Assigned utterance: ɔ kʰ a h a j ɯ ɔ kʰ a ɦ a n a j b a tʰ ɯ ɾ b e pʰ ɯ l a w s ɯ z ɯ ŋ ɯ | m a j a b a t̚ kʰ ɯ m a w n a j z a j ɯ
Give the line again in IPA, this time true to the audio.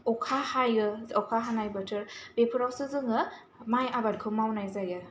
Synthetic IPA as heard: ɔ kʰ a h a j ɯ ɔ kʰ a ɦ a n a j b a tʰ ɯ ɾ b e pʰ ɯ ɾ a w s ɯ z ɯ ŋ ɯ | m a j a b a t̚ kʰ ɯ m a w n a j z a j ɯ